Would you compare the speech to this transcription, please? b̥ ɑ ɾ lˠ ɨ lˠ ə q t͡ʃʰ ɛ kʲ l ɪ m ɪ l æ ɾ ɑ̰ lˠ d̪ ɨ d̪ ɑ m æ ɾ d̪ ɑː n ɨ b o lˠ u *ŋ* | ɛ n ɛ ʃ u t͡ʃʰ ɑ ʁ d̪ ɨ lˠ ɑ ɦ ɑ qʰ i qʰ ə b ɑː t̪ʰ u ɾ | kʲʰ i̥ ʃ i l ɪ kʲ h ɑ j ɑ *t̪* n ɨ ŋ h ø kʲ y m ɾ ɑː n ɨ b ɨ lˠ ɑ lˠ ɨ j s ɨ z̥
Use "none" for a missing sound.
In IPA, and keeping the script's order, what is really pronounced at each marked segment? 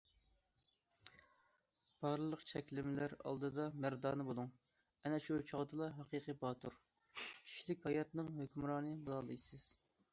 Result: ŋ, t̪

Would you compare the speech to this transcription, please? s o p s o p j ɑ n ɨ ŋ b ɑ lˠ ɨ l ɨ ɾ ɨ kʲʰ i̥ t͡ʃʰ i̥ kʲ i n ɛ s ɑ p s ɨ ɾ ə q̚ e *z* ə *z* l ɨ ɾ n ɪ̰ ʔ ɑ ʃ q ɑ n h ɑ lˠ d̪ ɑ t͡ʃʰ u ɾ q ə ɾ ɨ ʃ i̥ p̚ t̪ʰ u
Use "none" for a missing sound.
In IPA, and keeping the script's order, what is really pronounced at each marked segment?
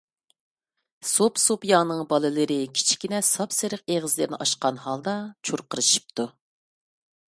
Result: ʁ, z

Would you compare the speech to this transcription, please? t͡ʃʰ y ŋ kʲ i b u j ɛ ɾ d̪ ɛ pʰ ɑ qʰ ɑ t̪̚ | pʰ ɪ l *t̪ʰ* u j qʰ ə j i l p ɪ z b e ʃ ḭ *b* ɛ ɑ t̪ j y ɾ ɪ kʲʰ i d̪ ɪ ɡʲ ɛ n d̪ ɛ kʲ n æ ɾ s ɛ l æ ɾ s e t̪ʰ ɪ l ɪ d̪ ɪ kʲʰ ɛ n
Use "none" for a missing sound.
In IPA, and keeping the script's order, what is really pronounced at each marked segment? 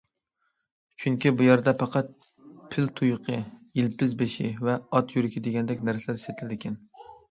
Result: t̪ʰ, v

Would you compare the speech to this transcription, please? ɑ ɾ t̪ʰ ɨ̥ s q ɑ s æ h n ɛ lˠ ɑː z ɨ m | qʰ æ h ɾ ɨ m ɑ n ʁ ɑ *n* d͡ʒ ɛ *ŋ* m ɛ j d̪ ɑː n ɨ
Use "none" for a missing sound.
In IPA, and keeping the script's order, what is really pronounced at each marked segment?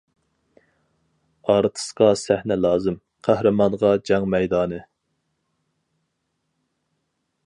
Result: none, ŋ

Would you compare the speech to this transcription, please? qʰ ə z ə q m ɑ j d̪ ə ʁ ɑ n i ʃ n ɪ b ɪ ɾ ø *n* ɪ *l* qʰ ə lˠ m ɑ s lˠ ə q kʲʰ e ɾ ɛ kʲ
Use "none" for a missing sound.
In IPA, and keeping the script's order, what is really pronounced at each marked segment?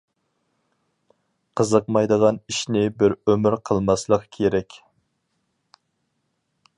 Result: m, ɾ

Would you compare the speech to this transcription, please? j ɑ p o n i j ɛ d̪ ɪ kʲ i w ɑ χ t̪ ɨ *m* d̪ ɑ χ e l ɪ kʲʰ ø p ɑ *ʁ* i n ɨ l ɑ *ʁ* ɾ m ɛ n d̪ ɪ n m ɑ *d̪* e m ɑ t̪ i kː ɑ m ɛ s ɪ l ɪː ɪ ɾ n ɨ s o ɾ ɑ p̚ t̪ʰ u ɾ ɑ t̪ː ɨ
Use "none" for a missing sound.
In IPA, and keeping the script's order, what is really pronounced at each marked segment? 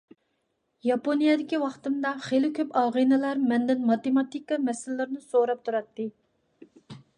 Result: m, ʁ, none, t̪

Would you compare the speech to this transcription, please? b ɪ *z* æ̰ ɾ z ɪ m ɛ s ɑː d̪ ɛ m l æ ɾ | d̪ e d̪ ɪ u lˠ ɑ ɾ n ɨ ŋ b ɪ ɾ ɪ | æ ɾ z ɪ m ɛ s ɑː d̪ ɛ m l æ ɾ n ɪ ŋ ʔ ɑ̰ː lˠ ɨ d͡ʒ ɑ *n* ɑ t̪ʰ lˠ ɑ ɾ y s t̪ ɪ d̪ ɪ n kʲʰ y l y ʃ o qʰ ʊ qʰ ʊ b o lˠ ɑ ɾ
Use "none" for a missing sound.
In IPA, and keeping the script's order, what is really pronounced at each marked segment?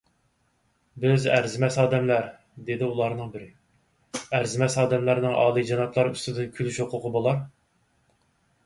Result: z, n

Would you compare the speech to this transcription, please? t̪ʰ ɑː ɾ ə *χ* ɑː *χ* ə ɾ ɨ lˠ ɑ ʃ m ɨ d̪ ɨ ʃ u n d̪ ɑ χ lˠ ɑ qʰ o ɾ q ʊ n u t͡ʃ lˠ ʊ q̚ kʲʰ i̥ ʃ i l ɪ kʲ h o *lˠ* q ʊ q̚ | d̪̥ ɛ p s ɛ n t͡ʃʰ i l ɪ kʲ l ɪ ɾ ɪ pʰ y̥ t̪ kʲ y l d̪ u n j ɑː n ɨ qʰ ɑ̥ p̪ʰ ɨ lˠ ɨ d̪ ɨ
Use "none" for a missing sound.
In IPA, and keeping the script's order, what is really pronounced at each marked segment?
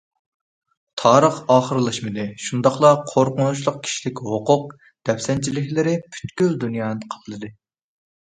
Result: χ, χ, none

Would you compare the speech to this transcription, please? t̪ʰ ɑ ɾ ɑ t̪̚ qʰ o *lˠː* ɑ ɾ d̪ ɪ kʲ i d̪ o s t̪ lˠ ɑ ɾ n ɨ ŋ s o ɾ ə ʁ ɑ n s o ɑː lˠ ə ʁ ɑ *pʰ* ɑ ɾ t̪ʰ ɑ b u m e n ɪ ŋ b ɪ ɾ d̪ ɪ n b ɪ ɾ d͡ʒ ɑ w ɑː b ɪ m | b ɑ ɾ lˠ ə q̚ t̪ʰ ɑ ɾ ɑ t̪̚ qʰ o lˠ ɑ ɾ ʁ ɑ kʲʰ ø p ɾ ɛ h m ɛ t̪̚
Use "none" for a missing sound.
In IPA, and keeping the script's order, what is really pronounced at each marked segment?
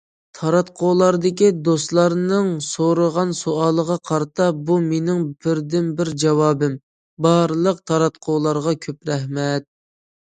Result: lˠ, qʰ

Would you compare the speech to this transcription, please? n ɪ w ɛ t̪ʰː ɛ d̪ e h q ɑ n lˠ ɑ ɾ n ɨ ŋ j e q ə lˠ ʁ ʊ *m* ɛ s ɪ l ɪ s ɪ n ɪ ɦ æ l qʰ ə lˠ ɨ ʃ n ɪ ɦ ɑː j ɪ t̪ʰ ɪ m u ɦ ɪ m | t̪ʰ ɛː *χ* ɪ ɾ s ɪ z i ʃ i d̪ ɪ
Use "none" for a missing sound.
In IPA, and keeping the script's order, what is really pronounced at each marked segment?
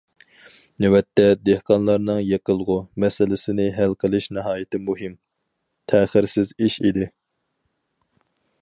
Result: m, χ

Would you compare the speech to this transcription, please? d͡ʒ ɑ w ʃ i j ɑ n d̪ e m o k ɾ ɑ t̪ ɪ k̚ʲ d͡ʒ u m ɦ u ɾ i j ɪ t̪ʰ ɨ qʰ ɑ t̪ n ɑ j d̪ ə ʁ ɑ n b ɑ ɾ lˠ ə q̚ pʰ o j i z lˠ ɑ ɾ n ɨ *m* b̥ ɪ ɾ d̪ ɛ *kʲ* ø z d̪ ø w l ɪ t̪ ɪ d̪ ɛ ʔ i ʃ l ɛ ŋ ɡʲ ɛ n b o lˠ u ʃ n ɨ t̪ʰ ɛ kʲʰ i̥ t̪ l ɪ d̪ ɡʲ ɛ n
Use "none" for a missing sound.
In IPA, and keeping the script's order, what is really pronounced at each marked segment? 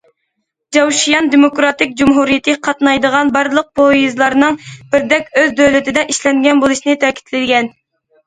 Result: ŋ, kʲ

